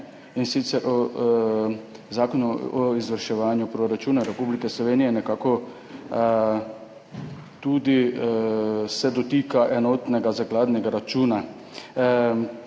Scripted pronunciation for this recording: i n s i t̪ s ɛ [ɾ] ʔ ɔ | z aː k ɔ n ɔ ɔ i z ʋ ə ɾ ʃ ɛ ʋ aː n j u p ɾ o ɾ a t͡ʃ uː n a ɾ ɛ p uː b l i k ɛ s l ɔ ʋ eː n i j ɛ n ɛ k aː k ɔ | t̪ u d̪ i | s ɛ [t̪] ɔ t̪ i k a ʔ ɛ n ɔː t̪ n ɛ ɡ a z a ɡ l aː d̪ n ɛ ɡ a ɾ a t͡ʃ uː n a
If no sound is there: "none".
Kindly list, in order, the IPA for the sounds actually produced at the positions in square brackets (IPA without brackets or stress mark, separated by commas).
ɾ, d̪